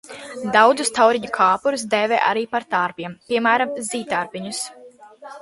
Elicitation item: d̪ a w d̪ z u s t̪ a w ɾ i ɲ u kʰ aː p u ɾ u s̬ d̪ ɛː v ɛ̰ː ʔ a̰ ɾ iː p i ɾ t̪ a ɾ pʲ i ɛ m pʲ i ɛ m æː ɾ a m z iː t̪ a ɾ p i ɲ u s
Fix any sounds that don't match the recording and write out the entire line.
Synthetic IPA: d̪ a w d̪ z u s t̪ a w ɾ i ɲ u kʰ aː p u ɾ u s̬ d̪ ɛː v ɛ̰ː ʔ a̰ ɾ iː p a ɾ t̪ a ɾ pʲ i ɛ m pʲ i ɛ m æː ɾ a m z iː t̪ a ɾ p i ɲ u s